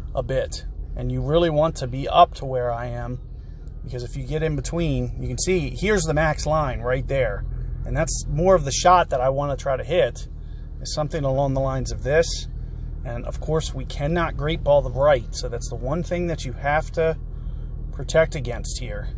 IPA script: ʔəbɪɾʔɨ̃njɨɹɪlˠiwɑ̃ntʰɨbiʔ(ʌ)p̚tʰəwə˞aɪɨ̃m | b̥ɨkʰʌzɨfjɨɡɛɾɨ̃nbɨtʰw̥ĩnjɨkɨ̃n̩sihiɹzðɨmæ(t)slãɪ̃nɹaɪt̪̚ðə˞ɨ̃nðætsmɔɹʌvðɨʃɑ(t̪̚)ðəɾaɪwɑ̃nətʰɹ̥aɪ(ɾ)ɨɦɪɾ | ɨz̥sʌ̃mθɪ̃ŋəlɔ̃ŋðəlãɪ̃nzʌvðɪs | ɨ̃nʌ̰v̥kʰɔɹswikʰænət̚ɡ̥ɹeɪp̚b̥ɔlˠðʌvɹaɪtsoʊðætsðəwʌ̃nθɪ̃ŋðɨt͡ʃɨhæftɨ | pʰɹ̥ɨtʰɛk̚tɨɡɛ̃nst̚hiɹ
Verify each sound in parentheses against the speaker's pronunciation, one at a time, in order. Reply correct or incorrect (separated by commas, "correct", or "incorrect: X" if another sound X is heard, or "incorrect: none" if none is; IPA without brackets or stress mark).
correct, incorrect: k, correct, correct